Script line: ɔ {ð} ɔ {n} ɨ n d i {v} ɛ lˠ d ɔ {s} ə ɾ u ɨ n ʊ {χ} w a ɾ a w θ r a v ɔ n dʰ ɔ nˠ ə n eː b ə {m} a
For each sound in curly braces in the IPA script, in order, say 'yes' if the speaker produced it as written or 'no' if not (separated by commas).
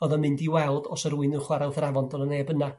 yes, no, no, yes, yes, no